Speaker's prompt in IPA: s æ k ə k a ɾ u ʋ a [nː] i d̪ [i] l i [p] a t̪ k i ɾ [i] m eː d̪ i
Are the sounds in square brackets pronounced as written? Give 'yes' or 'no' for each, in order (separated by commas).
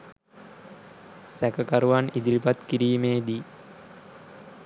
no, yes, yes, no